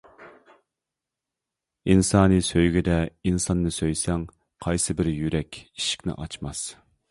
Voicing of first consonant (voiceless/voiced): voiced